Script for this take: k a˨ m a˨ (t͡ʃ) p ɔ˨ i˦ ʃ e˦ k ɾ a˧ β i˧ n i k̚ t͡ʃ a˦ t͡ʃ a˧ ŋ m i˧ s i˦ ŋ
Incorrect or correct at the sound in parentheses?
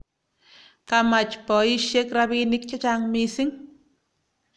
correct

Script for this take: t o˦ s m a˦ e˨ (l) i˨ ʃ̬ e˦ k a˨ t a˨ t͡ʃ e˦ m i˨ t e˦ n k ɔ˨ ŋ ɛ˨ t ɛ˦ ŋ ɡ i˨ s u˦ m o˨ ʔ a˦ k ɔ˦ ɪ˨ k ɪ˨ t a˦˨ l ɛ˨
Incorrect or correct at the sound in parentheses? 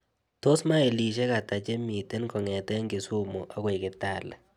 correct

